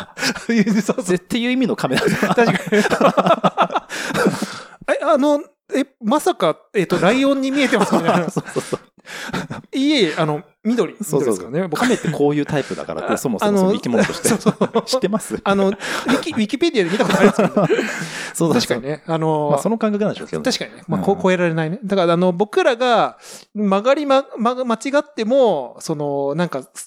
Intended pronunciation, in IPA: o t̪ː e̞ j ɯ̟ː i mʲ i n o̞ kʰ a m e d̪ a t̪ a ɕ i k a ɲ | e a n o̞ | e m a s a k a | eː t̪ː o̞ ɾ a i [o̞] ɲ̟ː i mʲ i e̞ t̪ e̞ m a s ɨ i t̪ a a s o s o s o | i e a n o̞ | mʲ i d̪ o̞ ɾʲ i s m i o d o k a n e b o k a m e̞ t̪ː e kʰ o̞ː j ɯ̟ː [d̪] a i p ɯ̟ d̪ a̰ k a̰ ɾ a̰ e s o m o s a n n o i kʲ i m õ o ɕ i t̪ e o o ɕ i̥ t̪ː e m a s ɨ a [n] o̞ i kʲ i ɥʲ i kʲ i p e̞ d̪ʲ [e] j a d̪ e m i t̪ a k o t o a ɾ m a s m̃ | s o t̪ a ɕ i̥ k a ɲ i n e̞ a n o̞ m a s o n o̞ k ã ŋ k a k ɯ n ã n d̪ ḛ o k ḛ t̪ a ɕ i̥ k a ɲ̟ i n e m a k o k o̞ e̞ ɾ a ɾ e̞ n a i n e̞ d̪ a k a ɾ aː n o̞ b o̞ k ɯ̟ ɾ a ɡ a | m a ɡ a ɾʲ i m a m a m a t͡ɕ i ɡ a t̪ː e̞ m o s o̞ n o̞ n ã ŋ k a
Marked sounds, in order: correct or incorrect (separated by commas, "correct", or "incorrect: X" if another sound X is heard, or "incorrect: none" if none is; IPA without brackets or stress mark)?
incorrect: õ̞, incorrect: t̪, correct, incorrect: i